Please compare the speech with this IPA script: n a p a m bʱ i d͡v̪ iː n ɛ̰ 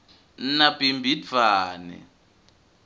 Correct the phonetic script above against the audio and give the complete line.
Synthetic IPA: n a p i m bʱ i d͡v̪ aː n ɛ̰